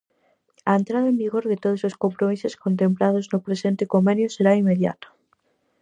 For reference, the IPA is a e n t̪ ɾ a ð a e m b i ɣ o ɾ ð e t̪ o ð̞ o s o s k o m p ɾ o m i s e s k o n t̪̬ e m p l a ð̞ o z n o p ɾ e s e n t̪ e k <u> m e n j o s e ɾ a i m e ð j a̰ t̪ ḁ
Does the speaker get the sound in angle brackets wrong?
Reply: yes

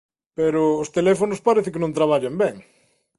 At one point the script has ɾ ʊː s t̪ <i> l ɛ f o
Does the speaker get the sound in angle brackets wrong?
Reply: yes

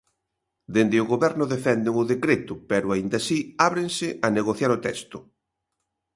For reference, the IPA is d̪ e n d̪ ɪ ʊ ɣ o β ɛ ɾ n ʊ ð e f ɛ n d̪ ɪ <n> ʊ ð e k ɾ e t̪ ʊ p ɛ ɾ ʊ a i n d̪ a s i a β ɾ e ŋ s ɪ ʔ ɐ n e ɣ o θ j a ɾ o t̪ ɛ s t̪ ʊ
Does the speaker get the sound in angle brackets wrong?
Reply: yes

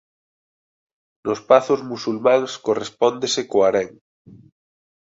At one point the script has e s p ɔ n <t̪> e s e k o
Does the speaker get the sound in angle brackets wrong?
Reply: yes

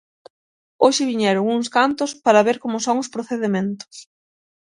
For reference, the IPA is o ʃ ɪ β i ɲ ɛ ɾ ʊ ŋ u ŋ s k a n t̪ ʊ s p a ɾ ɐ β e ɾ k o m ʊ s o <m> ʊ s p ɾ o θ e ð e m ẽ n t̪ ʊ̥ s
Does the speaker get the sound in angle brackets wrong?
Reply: yes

